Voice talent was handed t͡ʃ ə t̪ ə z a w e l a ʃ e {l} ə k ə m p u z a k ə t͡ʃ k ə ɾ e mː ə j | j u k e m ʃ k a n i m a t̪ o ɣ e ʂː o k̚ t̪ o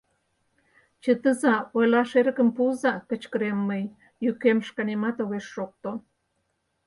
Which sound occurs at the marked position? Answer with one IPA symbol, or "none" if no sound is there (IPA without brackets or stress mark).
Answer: ɾ